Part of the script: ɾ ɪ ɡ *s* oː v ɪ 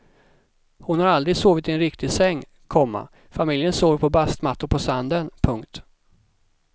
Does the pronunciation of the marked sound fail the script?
no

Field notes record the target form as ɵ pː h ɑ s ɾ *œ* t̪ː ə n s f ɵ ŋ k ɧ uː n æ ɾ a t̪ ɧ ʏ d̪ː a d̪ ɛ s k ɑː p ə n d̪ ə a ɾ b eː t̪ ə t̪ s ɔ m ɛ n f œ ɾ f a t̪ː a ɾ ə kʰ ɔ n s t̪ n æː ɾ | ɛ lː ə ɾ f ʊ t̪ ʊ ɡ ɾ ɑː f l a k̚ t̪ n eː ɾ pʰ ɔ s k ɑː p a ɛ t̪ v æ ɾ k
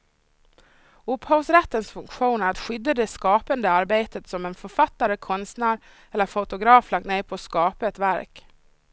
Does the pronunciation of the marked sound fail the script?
yes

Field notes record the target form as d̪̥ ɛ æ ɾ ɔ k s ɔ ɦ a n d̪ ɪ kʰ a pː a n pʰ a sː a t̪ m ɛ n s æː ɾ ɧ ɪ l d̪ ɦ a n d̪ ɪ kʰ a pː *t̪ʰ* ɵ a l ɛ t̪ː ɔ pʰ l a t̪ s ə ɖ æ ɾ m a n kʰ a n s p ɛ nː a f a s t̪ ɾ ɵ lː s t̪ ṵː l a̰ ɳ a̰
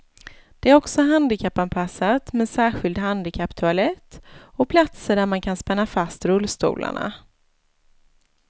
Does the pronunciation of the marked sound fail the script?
no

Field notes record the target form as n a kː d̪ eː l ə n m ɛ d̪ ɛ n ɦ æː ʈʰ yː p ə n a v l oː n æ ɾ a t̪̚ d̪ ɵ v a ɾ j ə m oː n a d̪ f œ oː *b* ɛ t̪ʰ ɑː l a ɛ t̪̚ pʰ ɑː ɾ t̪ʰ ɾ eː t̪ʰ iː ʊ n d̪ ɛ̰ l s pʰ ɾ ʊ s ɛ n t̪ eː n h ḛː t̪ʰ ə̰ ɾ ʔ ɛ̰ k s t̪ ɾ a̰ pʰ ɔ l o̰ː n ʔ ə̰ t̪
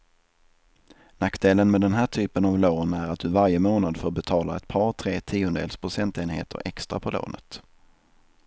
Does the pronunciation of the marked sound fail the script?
no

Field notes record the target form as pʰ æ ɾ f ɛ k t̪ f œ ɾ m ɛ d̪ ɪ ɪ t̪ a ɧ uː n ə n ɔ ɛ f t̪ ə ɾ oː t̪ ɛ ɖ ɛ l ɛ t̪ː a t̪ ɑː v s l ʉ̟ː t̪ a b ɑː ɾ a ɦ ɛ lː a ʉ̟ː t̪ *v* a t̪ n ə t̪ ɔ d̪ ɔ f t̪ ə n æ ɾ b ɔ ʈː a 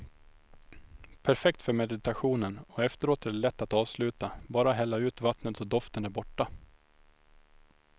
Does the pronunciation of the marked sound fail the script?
no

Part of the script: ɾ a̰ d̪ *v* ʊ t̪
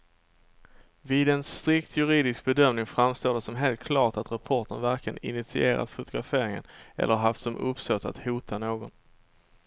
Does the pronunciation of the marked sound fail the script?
yes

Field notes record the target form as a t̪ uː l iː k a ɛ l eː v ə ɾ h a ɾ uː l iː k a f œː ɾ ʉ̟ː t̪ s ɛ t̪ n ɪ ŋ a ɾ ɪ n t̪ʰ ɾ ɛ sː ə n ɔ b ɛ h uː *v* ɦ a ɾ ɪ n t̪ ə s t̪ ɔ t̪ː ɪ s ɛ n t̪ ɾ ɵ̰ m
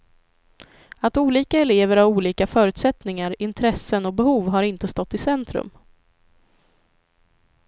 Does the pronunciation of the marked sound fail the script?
no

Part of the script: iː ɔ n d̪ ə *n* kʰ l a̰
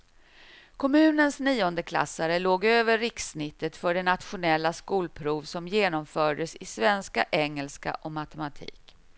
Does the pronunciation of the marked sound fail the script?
yes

